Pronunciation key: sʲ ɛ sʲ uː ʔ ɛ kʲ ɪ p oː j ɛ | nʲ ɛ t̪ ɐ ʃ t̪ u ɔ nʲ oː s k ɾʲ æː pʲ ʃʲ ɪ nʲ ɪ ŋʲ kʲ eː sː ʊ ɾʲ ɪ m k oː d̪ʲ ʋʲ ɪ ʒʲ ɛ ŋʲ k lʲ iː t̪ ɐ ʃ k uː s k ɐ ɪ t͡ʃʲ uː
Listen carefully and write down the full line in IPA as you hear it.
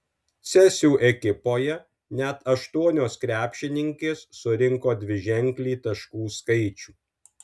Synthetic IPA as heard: sʲ ɛ sʲ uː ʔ ɛ kʲ ɪ p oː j ɛ | nʲ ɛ t̪ ɐ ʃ t̪ u ɔ nʲ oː s k ɾʲ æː pʲ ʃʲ ɪ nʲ ɪ ŋʲ kʲ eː sː ʊ ɾʲ ɪ ŋ k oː d̪ʲ ʋʲ ɪ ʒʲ ɛ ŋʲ k lʲ iː t̪ ɐ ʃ k uː s k ɐ ɪ t͡ʃʲ uː

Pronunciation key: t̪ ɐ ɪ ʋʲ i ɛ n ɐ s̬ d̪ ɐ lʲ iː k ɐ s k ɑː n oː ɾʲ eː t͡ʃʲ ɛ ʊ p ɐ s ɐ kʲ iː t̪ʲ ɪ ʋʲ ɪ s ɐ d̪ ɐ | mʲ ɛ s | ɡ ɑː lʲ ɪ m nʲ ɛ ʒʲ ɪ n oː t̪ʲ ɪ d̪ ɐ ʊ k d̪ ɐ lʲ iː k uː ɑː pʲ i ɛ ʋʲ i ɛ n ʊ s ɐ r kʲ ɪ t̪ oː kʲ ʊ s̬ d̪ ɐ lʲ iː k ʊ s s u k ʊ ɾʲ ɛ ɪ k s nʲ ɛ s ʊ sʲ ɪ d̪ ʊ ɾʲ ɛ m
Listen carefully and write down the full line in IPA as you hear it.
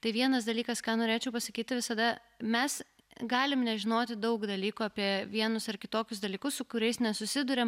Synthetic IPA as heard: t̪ ɐ ɪ ʋʲ i ɛ n ɐ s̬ d̪ ɐ lʲ iː k ɐ s k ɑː n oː ɾʲ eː t͡ʃʲ ɛ ʊ p ɐ s ɐ kʲ iː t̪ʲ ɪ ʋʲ ɪ s ɐ d̪ ɐ | mʲ ɛ s | ɡ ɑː lʲ ɪ m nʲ ɛ ʒʲ ɪ n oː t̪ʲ ɪ d̪ ɐ ʊ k d̪ ɐ lʲ iː k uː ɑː pʲ i ɛ ʋʲ i ɛ n ʊ s ɐ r kʲ ɪ t̪ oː kʲ ʊ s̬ d̪ ɐ lʲ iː k ʊ s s ʊ k ʊ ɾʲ ɛ ɪ s nʲ ɛ s ʊ sʲ ɪ d̪ ʊ ɾʲ ɛ m

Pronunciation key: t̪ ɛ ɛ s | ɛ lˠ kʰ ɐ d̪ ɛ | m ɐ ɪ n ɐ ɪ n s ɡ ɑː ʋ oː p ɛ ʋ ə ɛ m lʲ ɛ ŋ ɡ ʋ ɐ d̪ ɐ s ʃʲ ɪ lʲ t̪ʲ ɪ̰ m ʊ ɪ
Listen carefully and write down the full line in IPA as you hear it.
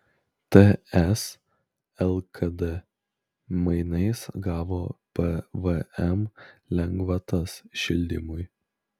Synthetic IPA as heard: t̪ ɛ ɛ s | ɛ lˠ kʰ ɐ d̪ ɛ | m ɐ ɪ n ɐ ɪ s ɡ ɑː ʋ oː p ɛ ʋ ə ɛ m lʲ ɛ ŋ ɡ ʋ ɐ t̪ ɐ s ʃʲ ɪ lʲ d̪ʲ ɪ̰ m ʊ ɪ

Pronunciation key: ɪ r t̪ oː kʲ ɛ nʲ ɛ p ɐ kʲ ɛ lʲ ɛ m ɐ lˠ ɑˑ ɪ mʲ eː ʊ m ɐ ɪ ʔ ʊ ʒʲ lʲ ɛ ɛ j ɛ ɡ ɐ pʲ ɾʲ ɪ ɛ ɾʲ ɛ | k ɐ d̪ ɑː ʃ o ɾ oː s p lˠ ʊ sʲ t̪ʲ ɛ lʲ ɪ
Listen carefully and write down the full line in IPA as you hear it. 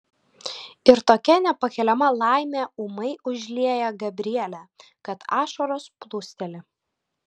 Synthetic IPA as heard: ɪ ɾ t̪ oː kʲ ɛ nʲ ɛ p ɐ kʲ ɛ lʲ ɛ m ɐ lˠ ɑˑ ɪ mʲ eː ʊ m ɐ ɪ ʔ ʊ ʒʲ lʲ i ɛ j ɛ ɡ ɐ bʲ ɾʲ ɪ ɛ lʲ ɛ | k ɐ t̪ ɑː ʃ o ɾ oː s p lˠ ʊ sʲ t̪ʲ ɛ lʲ ɪ

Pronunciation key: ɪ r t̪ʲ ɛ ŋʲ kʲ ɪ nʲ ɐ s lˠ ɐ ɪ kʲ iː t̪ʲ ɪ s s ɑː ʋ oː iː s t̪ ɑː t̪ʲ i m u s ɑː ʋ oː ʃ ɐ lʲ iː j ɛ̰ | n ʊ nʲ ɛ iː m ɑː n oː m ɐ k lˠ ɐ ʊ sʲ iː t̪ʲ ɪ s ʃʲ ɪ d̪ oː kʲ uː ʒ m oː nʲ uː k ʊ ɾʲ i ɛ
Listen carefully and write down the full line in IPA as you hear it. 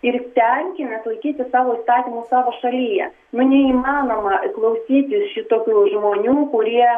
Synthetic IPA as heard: ɪ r t̪ʲ ɛ ŋʲ kʲ ɪ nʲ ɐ s lˠ ɐ ɪ kʲ iː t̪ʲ ɪ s s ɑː ʋ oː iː s t̪ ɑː t̪ʲ i m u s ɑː ʋ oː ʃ ɐ lʲ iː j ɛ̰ | n ʊ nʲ ɛ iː m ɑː n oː m ɐ k lˠ ɐ ʊ sʲ iː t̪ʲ ɪ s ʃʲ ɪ t̪ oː kʲ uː ʒ m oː nʲ uː k ʊ ɾʲ i ɛ

